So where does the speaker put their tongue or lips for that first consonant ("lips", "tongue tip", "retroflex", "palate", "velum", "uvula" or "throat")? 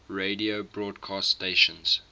tongue tip